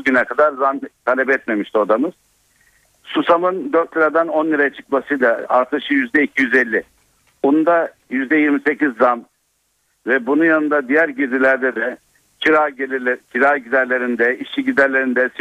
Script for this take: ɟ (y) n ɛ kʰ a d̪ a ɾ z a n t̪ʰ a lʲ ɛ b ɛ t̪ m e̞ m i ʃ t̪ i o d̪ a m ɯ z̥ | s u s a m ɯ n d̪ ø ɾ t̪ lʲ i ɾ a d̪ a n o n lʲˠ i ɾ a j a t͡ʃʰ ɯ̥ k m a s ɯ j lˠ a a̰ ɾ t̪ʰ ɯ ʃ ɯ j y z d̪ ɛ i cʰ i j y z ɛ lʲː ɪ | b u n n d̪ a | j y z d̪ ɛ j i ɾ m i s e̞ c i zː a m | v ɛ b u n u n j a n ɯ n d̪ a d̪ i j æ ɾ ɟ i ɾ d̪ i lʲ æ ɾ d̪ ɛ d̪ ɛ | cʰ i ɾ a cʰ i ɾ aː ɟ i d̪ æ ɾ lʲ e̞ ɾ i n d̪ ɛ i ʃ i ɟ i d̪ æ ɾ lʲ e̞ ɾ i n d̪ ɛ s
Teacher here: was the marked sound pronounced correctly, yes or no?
yes